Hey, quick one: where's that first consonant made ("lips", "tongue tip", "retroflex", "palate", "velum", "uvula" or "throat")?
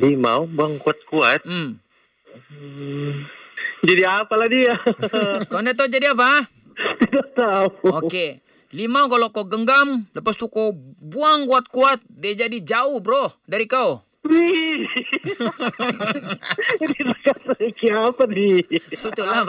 tongue tip